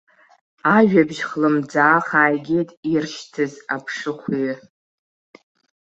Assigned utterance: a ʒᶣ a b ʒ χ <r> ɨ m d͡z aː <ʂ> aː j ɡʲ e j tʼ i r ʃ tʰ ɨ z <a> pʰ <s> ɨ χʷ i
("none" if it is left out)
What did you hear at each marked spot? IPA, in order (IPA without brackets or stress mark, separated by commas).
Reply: l, χ, a, ʂ